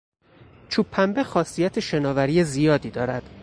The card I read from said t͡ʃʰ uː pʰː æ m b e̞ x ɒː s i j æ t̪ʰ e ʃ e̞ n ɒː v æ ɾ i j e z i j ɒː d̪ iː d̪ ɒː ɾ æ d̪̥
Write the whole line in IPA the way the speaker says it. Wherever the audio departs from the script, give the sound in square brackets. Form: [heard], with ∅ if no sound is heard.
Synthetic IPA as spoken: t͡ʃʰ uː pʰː æ m b e̞ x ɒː s i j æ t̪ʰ e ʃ e̞ n ɒː v æ ɾ i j e z i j ɒː d̪ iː d̪ ɒː ɾ æ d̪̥